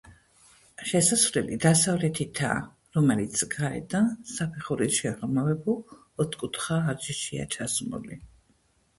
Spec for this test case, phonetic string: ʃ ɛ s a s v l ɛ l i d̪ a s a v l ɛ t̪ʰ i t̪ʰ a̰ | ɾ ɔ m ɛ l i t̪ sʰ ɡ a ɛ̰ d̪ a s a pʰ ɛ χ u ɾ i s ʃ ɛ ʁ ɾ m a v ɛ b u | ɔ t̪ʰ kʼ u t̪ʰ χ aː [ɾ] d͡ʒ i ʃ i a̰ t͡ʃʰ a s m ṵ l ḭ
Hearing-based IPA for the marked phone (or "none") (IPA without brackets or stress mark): ɾ